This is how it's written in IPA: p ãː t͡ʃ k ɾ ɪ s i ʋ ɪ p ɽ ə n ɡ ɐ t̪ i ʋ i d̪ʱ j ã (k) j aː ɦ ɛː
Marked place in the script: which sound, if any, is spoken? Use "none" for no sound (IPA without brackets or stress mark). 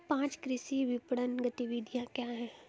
k